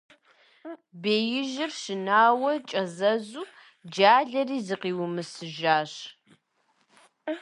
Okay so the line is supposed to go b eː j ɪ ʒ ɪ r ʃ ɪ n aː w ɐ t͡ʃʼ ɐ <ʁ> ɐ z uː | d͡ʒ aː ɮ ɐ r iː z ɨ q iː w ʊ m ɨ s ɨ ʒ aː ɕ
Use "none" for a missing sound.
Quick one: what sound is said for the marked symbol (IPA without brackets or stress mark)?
z